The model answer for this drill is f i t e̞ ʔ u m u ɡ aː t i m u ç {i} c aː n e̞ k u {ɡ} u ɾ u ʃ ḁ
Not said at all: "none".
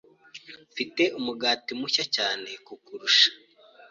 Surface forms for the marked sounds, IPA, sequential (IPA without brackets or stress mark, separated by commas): a, k